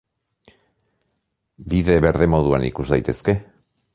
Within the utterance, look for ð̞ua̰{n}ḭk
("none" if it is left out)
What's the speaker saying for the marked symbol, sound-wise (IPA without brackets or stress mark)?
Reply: n